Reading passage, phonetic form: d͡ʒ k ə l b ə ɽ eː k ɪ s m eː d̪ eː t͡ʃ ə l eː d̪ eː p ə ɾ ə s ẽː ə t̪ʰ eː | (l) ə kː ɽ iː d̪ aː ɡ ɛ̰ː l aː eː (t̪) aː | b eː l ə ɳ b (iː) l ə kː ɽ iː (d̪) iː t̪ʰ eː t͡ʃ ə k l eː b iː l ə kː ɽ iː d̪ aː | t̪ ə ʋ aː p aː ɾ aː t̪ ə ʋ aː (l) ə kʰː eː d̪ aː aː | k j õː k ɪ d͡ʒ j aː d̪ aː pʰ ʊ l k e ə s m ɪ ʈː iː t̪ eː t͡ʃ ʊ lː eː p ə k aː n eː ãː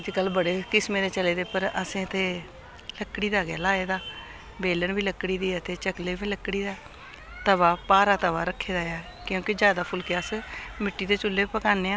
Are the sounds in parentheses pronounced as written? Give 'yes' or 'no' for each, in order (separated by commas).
yes, no, yes, yes, no